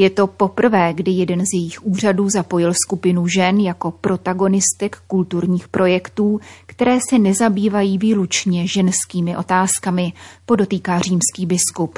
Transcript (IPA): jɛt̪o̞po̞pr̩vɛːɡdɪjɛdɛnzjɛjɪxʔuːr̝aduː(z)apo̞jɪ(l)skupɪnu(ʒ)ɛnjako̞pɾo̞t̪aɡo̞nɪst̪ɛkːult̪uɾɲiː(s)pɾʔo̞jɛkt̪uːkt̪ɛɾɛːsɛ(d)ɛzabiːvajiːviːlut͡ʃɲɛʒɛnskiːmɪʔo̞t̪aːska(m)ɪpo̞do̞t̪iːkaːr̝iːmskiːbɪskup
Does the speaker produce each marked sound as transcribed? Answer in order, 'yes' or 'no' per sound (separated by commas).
yes, yes, yes, no, no, yes